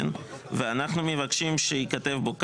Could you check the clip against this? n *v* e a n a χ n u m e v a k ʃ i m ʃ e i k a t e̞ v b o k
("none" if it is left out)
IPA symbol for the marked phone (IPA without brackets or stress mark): v